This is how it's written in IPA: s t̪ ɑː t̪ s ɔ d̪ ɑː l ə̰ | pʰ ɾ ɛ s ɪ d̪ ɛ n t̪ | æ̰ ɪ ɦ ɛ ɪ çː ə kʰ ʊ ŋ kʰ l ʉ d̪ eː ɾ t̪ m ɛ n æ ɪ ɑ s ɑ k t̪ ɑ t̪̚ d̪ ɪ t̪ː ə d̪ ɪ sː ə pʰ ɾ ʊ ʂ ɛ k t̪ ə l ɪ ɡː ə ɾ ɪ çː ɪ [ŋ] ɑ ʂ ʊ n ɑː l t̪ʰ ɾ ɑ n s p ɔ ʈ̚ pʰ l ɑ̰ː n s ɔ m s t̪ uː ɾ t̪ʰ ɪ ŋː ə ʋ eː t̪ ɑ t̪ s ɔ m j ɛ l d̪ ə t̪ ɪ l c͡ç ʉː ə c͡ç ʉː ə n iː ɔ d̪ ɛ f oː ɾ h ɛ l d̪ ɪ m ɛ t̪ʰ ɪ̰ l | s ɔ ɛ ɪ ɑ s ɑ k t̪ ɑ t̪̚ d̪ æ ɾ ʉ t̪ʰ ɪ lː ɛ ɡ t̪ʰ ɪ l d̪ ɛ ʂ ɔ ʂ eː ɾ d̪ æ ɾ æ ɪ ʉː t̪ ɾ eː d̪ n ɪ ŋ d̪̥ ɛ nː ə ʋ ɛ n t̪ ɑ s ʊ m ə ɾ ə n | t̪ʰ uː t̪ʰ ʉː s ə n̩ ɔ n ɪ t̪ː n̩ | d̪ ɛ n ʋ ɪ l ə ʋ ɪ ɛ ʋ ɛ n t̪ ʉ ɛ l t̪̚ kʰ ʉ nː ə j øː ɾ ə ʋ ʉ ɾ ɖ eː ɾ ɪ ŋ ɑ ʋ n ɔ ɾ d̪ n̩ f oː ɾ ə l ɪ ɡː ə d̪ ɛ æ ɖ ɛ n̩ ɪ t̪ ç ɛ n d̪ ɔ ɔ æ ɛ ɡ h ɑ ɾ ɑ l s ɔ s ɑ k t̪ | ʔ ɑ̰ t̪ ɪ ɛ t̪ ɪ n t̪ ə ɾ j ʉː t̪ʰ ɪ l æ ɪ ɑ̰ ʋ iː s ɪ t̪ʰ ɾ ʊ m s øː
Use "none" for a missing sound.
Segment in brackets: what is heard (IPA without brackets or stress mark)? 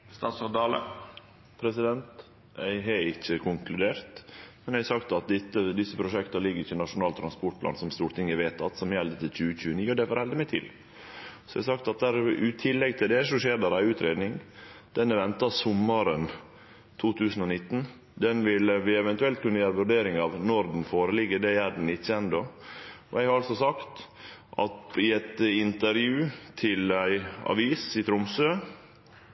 n